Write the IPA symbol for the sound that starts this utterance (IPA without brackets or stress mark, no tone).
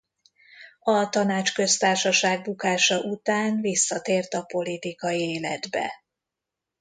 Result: ɒ